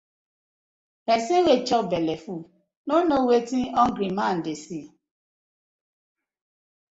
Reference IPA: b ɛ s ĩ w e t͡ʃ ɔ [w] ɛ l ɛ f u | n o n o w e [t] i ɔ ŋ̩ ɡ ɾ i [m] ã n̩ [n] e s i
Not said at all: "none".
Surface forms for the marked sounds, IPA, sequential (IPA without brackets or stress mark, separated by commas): b, t, m, d